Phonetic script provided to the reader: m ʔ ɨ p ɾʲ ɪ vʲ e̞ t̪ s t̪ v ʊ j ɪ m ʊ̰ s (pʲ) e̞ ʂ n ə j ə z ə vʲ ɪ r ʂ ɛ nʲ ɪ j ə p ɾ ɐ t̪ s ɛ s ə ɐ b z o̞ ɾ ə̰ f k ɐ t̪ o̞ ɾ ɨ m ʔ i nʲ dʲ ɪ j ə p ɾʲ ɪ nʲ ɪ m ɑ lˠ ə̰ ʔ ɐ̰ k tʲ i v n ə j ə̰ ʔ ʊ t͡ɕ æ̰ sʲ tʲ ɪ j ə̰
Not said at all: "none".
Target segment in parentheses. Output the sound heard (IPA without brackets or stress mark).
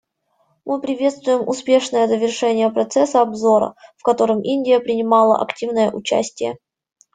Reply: pʲ